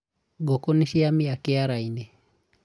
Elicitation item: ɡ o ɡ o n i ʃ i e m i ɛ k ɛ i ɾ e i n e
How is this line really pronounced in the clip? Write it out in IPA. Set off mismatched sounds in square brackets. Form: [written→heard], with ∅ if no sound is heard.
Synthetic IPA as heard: ɡ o [ɡ→k] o n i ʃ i [e→a] m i [ɛ→a] k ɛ [i→a] ɾ [e→a] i n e